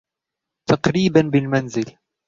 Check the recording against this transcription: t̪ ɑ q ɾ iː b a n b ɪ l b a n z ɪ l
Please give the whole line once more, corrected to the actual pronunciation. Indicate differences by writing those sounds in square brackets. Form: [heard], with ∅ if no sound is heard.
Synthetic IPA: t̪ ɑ q ɾ iː b a n b ɪ l [m] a n z ɪ l